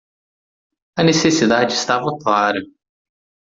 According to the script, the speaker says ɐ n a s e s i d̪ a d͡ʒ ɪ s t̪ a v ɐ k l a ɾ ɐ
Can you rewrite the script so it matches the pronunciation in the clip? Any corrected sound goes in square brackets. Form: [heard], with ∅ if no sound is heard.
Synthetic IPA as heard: ɐ n [e] s e s i d̪ a d͡ʒ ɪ s t̪ a v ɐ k l a ɾ ɐ